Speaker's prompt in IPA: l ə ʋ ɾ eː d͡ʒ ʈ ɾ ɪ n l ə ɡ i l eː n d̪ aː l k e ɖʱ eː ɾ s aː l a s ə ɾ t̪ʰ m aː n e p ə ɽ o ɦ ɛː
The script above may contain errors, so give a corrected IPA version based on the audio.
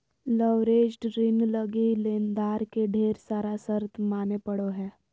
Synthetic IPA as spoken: l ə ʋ ɾ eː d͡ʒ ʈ ɾ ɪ n l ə ɡ i l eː n d̪ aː ɾ k e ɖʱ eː ɾ s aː ɾ a s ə ɾ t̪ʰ m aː n e p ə ɽ o ɦ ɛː

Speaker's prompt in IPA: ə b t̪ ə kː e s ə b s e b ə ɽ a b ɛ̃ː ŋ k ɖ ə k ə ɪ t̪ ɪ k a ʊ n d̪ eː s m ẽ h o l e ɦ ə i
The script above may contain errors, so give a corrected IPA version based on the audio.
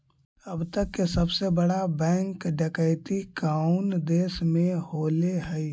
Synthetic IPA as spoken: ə b t̪ ə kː e s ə b s e b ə ɽ a b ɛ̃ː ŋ k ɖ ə k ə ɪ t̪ i k a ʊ n d̪ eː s m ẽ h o l e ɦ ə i

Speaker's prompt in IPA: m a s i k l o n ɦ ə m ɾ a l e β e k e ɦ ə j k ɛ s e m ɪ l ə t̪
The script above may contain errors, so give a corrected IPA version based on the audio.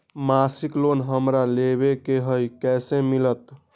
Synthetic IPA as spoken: m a s i k l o n ɦ ə m ɾ a l e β e k e ɦ ə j k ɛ s e m i l ə t̪

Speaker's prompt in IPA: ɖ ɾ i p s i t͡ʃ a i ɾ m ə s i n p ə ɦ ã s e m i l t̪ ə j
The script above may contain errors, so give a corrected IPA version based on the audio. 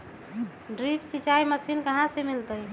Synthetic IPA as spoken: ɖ ɾ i p s i t͡ʃ a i m ə s i n k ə ɦ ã s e m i l t̪ ə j

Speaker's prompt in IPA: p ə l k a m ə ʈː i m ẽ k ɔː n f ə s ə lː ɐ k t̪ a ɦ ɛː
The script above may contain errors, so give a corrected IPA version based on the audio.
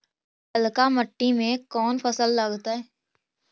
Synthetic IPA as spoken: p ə l k a m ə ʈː i m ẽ k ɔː n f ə s ə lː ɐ ɡ t̪ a ɦ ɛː

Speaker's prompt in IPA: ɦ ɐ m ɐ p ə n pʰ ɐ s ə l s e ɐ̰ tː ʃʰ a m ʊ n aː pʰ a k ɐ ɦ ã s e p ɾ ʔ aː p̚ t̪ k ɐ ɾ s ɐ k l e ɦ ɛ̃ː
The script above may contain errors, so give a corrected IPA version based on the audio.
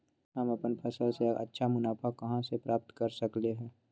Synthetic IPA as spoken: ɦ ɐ m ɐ p ə n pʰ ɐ s ə l s e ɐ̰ tː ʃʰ a m ʊ n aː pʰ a k ɐ ɦ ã s e p ɾ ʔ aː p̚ t̪ k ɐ ɾ s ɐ k l e ɦ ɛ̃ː

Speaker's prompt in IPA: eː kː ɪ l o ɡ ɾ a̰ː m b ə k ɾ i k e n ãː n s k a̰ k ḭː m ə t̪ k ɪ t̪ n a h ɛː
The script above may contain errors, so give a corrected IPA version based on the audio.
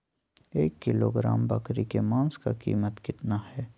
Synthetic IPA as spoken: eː kː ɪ l o ɡ ɾ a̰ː m b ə k ɾ i k e m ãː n s k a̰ k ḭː m ə t̪ k ɪ t̪ n a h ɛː

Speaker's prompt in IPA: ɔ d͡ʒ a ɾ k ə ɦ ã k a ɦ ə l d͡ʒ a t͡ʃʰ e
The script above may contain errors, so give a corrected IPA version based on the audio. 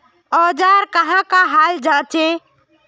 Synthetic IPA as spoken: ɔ d͡ʒ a ɾ k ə ɦ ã k a ɦ a l d͡ʒ a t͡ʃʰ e

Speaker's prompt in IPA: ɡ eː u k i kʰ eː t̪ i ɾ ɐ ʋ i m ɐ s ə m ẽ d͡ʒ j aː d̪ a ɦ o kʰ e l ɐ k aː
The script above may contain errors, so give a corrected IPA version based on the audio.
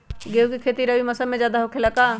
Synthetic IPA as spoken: ɡ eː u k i kʰ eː t̪ i ɾ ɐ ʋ i m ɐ s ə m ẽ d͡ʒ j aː d̪ a ɦ o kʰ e l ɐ k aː

